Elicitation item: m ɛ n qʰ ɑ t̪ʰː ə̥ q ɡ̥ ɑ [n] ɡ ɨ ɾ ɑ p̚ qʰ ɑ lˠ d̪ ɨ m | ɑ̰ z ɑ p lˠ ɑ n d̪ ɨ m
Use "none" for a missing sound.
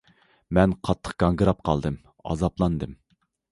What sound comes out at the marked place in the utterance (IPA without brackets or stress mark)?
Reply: ŋ